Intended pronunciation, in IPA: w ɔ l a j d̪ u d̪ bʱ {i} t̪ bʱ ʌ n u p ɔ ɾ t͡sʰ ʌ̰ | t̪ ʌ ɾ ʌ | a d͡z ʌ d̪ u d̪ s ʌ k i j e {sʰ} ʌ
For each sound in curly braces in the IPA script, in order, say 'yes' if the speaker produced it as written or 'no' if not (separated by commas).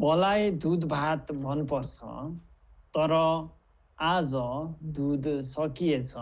no, no